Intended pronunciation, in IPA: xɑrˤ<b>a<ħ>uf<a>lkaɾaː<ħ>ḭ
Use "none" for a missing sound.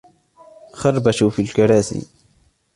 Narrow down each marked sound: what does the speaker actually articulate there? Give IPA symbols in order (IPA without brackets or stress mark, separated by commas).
b, ʃ, i, s